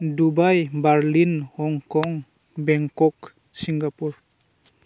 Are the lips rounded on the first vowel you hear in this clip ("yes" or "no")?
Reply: yes